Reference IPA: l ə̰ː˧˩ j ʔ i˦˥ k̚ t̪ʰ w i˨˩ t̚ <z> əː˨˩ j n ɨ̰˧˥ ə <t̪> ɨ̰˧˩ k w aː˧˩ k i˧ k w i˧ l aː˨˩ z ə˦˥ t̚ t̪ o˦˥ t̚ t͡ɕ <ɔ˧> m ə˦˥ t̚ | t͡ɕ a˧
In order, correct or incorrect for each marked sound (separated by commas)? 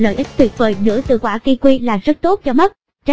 incorrect, correct, correct